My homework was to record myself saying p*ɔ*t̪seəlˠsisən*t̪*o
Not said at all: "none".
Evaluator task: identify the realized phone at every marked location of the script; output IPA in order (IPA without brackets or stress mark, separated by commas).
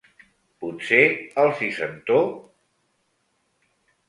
u, t̪